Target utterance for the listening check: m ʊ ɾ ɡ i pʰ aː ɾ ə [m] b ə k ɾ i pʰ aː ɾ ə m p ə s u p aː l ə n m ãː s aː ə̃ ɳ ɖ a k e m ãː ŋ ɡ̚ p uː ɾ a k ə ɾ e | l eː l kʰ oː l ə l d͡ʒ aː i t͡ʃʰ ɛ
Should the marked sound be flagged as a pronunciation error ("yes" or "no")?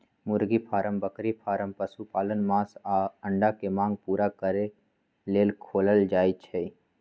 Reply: no